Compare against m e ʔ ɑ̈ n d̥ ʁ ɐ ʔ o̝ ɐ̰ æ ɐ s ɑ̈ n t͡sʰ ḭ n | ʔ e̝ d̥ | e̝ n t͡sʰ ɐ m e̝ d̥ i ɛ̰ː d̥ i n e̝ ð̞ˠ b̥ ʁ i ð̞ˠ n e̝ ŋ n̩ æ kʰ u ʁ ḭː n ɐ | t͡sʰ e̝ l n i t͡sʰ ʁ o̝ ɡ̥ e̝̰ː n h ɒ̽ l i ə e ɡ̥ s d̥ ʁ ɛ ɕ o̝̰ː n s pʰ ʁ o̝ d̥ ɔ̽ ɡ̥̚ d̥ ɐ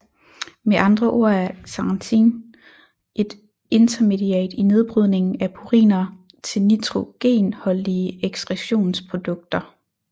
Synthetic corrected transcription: m e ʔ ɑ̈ n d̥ ʁ ɐ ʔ o̝ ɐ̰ æ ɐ s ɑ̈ n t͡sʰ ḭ n | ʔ e̝ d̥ | e̝ n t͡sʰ ɐ m e̝ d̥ i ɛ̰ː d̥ i n e̝ ð̞ˠ b̥ ʁ y ð̞ˠ n e̝ ŋ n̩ æ pʰ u ʁ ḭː n ɐ | t͡sʰ e̝ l n i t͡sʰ ʁ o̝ ɡ̥ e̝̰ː n h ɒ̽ l i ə e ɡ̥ s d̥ ʁ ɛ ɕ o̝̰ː n s pʰ ʁ o̝ d̥ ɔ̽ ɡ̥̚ d̥ ɐ